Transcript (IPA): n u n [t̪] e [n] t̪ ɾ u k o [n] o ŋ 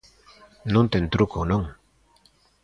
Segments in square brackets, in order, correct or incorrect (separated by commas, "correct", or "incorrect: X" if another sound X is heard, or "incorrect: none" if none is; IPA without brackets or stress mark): correct, correct, correct